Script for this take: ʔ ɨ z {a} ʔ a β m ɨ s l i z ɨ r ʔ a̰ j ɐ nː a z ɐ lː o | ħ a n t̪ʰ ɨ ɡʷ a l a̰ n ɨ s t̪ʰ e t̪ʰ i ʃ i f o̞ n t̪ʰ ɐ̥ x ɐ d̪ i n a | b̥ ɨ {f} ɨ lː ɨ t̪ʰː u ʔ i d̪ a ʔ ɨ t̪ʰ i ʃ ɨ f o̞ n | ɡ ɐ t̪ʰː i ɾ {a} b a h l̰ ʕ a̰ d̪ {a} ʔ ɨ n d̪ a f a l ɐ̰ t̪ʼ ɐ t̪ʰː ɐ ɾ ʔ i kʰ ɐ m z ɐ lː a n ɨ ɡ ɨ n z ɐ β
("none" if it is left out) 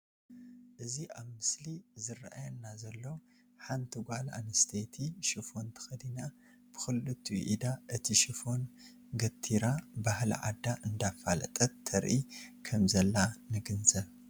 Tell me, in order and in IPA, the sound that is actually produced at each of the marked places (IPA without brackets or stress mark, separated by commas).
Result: i, x, a, a